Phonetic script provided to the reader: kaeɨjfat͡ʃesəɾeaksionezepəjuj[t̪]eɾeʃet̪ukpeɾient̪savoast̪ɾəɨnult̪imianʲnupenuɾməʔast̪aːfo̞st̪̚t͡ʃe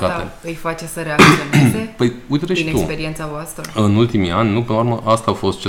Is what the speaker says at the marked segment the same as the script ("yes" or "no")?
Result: yes